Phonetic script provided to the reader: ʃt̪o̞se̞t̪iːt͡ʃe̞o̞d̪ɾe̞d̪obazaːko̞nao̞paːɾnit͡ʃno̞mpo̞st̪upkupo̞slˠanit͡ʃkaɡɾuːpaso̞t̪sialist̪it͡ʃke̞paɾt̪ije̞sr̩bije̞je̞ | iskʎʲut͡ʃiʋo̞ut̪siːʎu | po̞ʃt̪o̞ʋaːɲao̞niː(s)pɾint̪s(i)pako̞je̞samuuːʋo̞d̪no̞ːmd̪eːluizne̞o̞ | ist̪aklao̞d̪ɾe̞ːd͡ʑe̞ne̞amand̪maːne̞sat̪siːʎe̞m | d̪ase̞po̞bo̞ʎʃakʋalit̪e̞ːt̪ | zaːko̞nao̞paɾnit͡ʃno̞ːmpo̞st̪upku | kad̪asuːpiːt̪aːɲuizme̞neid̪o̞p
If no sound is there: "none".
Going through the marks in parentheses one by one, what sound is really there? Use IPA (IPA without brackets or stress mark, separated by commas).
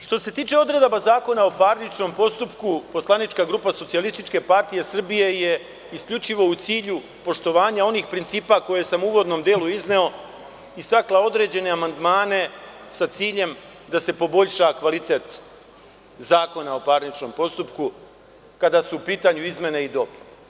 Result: x, iː